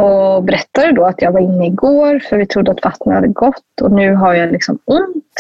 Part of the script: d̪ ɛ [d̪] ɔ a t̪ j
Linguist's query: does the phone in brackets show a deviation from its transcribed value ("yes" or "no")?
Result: no